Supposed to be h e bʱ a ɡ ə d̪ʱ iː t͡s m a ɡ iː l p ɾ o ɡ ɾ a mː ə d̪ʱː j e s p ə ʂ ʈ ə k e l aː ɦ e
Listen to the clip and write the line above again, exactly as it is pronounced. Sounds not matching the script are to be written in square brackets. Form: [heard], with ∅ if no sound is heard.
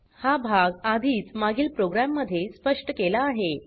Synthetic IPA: h [a] bʱ a ɡ [a] d̪ʱ iː t͡s m a ɡ iː l p ɾ o ɡ ɾ a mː ə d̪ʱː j e s p ə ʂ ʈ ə k e l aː ɦ e